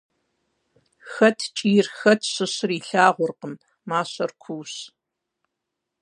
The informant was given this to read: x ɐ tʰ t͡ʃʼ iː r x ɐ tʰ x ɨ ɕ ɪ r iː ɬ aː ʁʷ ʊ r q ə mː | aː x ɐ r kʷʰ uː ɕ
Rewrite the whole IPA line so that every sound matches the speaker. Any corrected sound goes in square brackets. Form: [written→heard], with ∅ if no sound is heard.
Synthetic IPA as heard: x ɐ tʰ t͡ʃʼ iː r x ɐ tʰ [x→ɕ] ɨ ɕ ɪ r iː ɬ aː ʁʷ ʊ r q ə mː | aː [x→ɕ] ɐ r kʷʰ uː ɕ